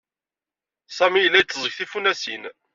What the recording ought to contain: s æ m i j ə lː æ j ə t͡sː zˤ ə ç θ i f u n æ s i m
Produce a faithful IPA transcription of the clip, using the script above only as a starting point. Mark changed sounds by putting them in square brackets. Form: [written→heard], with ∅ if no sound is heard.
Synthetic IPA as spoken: s æ m i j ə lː æ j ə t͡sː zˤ ə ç θ i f u n æ s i [m→n]